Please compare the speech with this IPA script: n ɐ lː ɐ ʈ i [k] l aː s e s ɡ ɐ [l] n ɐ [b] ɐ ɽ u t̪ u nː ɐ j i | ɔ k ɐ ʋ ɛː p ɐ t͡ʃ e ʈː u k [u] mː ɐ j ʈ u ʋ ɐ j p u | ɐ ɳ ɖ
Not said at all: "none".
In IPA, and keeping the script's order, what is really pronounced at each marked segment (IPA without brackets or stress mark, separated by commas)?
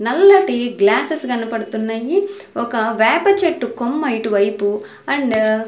ɡ, none, p, o